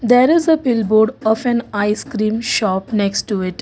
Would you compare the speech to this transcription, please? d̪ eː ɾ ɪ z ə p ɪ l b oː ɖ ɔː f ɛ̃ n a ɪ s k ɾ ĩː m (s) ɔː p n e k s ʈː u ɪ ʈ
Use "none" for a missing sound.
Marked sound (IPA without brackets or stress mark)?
ʃ